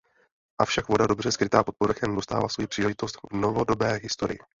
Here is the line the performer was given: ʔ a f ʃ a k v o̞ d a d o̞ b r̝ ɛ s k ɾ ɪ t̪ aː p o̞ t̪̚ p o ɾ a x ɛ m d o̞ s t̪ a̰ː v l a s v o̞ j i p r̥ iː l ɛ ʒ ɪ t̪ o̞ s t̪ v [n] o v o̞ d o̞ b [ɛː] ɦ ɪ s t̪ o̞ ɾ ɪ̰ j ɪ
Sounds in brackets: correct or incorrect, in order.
correct, correct

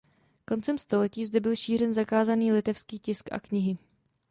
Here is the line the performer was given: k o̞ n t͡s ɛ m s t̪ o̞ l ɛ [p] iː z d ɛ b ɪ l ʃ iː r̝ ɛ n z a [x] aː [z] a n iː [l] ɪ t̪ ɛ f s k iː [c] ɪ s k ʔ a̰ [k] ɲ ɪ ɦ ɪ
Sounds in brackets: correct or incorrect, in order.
incorrect: c, incorrect: k, correct, correct, correct, correct

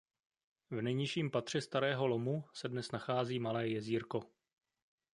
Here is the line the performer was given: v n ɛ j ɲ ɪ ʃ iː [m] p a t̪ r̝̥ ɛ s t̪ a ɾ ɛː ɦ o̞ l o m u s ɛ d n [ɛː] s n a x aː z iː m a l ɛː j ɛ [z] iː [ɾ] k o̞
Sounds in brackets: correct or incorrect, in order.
correct, incorrect: ɛ, correct, correct

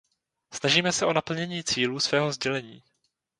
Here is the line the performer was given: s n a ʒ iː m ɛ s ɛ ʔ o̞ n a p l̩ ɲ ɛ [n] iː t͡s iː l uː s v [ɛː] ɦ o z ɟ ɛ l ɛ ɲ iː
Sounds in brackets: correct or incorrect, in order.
incorrect: ɲ, correct

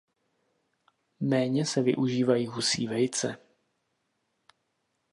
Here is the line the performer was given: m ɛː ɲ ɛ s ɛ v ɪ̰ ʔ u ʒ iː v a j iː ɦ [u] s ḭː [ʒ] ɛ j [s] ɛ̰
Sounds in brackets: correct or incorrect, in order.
correct, incorrect: v, incorrect: t͡s

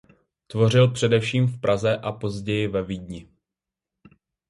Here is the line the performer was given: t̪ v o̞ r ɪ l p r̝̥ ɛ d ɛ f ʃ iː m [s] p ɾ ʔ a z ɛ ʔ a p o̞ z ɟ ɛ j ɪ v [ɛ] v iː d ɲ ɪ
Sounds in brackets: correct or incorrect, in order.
incorrect: f, correct

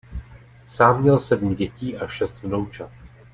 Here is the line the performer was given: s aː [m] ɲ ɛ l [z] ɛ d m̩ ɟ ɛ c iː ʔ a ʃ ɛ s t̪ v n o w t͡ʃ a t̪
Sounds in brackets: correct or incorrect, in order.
correct, incorrect: s

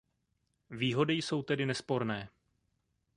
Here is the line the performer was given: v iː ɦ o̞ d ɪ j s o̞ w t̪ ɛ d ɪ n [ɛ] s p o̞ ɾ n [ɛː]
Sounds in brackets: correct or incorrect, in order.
correct, correct

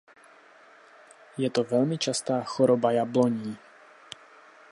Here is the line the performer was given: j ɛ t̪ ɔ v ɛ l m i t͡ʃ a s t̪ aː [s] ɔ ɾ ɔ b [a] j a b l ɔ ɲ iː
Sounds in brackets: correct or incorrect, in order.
incorrect: x, correct

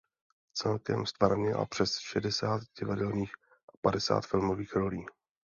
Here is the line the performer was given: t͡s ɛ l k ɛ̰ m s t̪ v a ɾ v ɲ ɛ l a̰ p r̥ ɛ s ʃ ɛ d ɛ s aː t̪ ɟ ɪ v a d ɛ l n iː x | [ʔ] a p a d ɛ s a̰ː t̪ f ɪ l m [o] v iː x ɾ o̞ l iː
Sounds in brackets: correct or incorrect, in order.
correct, correct

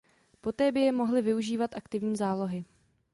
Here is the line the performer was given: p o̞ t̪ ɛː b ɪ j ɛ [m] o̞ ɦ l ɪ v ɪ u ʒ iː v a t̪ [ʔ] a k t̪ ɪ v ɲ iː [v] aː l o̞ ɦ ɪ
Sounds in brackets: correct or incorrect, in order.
correct, correct, incorrect: z

